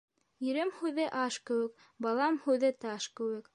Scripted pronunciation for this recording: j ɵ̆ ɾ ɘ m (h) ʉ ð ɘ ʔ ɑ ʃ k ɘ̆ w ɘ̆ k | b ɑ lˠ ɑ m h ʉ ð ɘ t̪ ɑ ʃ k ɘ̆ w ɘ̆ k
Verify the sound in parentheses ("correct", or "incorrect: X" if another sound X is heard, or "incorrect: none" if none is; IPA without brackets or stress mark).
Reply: correct